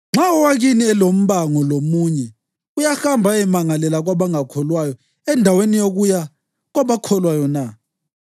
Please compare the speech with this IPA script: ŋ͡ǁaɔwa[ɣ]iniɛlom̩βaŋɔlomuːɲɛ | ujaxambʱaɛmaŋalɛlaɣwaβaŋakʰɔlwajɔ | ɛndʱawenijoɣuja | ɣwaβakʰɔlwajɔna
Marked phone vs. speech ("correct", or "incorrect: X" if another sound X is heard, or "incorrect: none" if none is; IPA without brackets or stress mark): correct